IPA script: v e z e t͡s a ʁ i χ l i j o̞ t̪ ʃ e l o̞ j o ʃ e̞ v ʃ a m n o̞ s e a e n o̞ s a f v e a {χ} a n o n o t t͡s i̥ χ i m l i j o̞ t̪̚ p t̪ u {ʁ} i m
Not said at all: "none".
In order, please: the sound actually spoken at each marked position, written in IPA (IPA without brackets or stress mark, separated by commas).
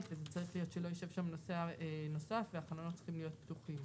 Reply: χ, χ